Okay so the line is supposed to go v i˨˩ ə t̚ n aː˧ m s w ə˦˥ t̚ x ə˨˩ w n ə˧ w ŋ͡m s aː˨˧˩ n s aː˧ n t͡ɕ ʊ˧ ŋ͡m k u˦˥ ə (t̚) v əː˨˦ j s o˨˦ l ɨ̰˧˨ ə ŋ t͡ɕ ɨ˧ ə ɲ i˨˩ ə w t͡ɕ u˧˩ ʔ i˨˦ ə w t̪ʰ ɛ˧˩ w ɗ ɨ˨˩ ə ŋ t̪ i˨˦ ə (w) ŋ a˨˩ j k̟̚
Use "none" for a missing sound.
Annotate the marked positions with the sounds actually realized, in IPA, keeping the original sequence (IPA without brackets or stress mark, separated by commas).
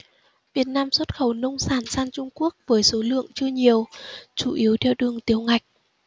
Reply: k̚, w